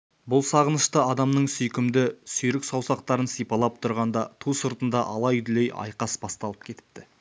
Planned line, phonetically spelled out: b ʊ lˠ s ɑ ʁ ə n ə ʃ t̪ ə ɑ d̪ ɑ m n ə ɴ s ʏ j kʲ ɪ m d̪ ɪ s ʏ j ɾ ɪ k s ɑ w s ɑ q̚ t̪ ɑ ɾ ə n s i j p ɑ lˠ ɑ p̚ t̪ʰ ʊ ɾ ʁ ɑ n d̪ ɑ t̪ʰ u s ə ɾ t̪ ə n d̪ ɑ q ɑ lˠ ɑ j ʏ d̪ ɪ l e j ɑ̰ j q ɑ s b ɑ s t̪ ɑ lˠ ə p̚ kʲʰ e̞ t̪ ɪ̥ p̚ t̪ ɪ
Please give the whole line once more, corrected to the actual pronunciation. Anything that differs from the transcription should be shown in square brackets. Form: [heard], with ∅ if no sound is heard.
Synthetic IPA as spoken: b ʊ lˠ s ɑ ʁ ə n ə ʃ t̪ ə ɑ d̪ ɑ m n ə ɴ s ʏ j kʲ ɪ m d̪ ɪ s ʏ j ɾ ɪ k s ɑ w s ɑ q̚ t̪ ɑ ɾ ə n s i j p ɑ lˠ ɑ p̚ t̪ʰ ʊ ɾ ʁ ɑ n d̪ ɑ t̪ʰ u s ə ɾ t̪ ə n d̪ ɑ [ʔ] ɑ lˠ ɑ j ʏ d̪ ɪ l e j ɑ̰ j q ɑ s b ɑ s t̪ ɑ lˠ ə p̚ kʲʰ e̞ t̪ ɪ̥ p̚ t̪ ɪ